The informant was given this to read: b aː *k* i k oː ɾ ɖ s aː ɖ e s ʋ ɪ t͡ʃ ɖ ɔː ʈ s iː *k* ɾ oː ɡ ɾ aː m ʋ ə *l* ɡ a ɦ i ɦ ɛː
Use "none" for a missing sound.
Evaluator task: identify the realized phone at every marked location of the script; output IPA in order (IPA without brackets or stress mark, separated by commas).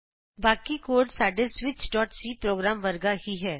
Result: k, p, ɾ